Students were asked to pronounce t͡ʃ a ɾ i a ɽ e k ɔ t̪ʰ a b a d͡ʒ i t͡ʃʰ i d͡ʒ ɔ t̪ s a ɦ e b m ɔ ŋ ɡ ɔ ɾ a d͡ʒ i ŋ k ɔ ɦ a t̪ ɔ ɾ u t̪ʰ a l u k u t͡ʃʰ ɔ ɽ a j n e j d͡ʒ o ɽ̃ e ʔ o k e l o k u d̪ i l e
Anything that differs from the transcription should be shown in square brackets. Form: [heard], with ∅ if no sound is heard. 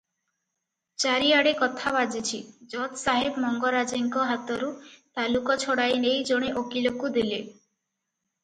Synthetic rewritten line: t͡ʃ a ɾ i a ɽ e k ɔ t̪ʰ a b a d͡ʒ i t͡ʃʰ i d͡ʒ ɔ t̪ s a ɦ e b m ɔ ŋ ɡ ɔ ɾ a d͡ʒ i ŋ k ɔ ɦ a t̪ ɔ ɾ u [t̪] a l u k [ɔ] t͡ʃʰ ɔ ɽ a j n e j d͡ʒ o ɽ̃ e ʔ o k [i] l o k u d̪ i l e